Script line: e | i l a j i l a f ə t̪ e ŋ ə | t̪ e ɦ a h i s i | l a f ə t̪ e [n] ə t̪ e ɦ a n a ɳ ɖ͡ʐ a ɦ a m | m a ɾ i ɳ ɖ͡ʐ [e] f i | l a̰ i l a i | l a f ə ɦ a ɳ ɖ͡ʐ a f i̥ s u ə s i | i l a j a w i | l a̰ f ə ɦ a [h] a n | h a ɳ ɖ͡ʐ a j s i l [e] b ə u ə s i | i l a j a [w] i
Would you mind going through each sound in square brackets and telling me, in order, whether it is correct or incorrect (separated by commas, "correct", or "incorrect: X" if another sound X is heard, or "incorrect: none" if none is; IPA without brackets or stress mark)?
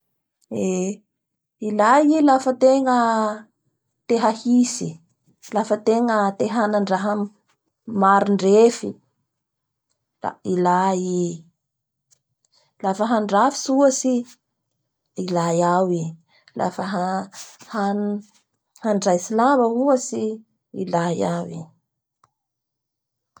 incorrect: ŋ, correct, correct, incorrect: a, correct